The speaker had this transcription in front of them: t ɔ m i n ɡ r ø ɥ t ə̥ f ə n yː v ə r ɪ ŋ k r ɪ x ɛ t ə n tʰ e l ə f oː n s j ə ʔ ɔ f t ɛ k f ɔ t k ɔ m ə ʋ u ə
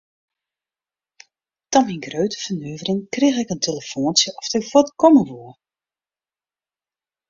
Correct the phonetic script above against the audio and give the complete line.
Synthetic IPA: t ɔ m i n ɡ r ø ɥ t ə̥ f ə n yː v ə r ɪ ŋ k r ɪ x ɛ k ə n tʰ e l ə f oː n s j ə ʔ ɔ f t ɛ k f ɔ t k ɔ m ə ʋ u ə

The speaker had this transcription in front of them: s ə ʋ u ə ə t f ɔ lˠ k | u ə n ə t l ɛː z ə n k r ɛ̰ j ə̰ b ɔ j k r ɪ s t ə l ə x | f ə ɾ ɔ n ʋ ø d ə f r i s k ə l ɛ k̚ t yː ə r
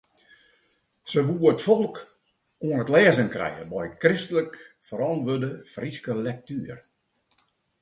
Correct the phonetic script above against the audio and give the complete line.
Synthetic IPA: s ə ʋ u ə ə t f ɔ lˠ k | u ə n ə t l ɛː z ə n k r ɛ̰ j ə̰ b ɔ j k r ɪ s t ə l ə k | f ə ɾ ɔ n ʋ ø d ə f r i s k ə l ɛ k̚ t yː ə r

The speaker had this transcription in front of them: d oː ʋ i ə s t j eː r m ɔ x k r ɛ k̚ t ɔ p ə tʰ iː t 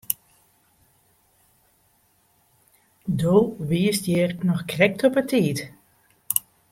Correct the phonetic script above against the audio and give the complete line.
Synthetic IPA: d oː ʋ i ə s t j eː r n ɔ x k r ɛ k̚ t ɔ p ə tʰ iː t

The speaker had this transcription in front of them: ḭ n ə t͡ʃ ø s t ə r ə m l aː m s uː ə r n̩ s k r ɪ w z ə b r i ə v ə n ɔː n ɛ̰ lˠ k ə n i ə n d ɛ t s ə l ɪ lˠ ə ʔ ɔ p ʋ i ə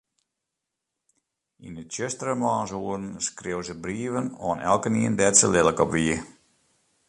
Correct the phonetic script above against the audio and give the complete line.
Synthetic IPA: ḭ n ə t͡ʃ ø s t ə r ə m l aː n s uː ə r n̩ s k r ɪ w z ə b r i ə v ə n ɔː n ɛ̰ lˠ k ə n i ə n d ɛ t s ə l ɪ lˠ ə k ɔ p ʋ i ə

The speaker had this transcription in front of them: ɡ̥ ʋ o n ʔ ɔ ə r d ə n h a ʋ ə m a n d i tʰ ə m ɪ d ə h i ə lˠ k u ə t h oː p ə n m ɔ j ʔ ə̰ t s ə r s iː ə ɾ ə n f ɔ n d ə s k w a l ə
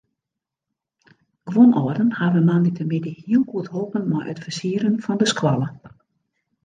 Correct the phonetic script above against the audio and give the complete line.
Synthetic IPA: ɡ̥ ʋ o n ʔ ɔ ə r d ə n h a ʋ ə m a n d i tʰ ə m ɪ d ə h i ə lˠ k u ə t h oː p ə n m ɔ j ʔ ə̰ t f ə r s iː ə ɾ ə n f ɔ n d ə s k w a l ə

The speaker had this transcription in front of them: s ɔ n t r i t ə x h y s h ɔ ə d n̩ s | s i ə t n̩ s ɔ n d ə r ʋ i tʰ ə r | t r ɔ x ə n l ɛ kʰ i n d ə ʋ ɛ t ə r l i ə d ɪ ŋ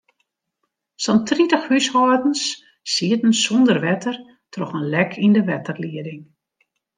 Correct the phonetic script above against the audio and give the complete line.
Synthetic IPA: s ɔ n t r i t ə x h y s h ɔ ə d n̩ s | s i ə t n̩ s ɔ n d ə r ʋ ɛ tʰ ə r | t r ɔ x ə n l ɛ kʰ i n d ə ʋ ɛ t ə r l i ə d ɪ ŋ

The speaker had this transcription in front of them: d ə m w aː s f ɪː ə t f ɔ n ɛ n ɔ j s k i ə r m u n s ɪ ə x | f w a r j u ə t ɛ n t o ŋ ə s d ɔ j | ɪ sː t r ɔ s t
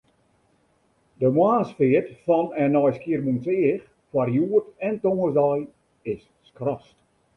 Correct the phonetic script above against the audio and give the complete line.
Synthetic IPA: d ə m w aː s f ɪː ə t f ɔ n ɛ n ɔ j s k i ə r m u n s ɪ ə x | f w a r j u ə t ɛ n t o ŋ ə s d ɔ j | ɪ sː k r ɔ s t

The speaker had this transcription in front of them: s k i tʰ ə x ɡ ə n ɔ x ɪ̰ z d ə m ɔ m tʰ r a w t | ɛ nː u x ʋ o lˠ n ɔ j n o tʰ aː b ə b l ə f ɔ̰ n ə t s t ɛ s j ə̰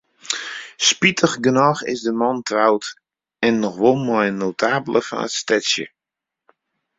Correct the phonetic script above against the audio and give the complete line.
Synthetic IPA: s p i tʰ ə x ɡ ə n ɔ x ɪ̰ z d ə m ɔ n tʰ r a w t | ɛ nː ɔ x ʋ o lˠ m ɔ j n o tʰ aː b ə l ə f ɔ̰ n ə t s t ɛ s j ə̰

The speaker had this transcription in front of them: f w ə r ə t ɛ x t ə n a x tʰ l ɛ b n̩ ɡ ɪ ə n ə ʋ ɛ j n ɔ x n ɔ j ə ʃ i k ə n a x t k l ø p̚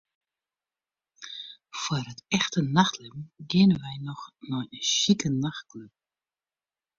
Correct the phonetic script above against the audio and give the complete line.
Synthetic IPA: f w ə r ə t ɛ x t ə n a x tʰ l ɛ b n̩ ɡ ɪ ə n ə ʋ ɛ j n ɔ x n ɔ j ə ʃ i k ə n a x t k l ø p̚

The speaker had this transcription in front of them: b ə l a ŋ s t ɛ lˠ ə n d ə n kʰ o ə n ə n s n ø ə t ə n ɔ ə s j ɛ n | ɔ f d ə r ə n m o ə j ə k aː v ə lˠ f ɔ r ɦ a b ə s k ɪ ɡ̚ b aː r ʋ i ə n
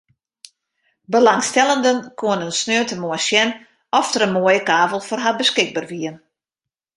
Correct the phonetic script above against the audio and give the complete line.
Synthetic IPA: b ə l a ŋ s t ɛ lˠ ə n d ə n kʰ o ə n ə n s n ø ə t ə m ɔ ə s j ɛ n | ɔ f t ə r ə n m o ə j ə k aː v ə lˠ f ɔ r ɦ a b ə s k ɪ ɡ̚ b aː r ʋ i ə n

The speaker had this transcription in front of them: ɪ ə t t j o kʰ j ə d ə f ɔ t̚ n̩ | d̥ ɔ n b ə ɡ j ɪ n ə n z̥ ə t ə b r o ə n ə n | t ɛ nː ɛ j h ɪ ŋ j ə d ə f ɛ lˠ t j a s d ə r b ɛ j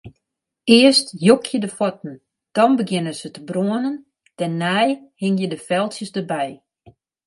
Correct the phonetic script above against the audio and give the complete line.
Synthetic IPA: ɪ ə s t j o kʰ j ə d ə f ɔ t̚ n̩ | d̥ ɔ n b ə ɡ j ɪ n ə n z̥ ə t ə b r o ə n ə n | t ɛ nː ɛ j h ɪ ŋ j ə d ə f ɛ lˠ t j ə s d ə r b ɛ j

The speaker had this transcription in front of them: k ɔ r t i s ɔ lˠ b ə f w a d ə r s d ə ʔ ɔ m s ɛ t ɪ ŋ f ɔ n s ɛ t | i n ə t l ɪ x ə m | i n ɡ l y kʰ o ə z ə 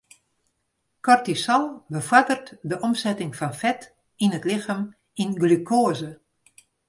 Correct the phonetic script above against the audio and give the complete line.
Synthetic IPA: k ɔ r t i s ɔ lˠ b ə f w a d ə r t d ə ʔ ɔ m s ɛ t ɪ ŋ f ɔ n f ɛ t | i n ə t l ɪ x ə m | i n ɡ l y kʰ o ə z ə

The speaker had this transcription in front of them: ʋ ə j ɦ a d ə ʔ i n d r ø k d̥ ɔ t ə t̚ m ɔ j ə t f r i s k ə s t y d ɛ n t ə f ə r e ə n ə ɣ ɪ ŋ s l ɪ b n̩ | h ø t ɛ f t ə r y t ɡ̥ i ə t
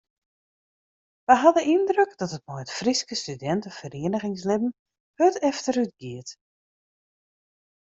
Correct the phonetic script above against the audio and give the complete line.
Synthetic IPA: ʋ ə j ɦ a d ə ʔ i n d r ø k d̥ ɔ t ə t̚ m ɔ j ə t f r i s k ə s t y d ɛ n t ə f ə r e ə n ə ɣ ɪ ŋ s l ɪ b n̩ | h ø t ɛ f t ə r y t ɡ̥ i ə t

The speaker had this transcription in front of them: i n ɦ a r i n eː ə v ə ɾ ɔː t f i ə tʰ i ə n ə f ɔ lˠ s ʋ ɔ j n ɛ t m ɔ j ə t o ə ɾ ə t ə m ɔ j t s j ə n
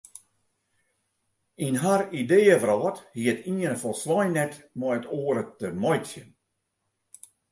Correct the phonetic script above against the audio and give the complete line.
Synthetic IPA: i n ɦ a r i d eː ə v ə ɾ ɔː t h i ə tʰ i ə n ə f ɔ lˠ s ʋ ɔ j n ɛ t m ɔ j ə t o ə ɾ ə t ə m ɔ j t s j ə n

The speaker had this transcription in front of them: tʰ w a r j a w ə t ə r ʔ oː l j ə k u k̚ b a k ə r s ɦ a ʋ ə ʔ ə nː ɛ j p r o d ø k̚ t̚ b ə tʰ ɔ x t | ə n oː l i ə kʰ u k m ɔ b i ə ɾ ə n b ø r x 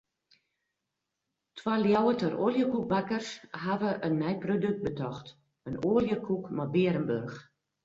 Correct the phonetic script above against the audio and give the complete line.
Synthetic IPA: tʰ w a l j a w ə t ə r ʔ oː l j ə k u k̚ b a k ə r s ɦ a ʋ ə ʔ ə nː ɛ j p r o d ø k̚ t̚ b ə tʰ ɔ x t | ə n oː l j ə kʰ u k m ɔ b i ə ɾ ə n b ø r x

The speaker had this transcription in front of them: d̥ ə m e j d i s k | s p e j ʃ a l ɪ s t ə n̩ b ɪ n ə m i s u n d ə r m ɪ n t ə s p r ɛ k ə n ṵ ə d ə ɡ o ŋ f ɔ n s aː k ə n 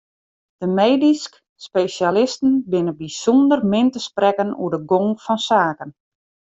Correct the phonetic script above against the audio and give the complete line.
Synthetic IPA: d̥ ə m e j d i s k | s p e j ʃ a l ɪ s t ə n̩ b ɪ n ə b i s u n d ə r m ɪ n t ə s p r ɛ k ə n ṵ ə d ə ɡ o ŋ f ɔ n s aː k ə n

